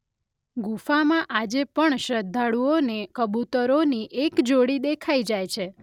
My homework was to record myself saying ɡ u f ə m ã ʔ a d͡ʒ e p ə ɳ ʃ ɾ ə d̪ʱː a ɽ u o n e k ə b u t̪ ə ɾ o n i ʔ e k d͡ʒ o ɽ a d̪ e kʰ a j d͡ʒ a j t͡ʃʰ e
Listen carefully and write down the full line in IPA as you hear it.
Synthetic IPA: ɡ u f a m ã ʔ a d͡ʒ e p ə ɳ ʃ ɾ ə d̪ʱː a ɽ u o n e k ə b u t̪ ə ɾ o n i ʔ e k d͡ʒ o ɽ i d̪ e kʰ a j d͡ʒ a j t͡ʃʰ e